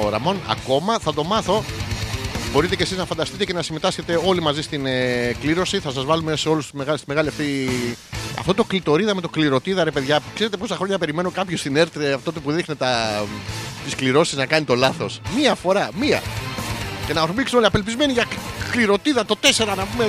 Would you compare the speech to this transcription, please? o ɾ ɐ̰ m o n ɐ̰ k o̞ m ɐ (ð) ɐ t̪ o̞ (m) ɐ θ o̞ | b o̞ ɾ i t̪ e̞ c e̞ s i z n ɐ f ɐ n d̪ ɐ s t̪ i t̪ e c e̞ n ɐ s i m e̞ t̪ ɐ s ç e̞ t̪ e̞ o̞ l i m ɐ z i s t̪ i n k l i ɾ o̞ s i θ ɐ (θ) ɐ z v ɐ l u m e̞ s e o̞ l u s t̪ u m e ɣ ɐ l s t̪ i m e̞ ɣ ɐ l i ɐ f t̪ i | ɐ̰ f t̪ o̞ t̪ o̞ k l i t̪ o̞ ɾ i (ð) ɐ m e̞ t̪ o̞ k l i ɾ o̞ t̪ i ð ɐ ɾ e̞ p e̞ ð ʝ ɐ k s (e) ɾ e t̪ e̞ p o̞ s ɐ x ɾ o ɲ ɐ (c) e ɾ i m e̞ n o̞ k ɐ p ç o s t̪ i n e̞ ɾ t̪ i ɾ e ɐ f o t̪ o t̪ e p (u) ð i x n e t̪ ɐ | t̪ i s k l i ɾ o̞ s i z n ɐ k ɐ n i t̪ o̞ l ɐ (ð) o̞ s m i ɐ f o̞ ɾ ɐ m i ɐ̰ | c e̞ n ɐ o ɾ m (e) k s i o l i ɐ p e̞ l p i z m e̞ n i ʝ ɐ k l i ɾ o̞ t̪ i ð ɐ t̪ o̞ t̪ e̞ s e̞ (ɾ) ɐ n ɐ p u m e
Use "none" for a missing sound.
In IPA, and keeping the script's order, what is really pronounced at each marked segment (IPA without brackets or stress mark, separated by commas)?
θ, m, s, ð, e, p, u, θ, i, ɾ